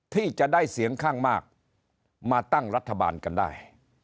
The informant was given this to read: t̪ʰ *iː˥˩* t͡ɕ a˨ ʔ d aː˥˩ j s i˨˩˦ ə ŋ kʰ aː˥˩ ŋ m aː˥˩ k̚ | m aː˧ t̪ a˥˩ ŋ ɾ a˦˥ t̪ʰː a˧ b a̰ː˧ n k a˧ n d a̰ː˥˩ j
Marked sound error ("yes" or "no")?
no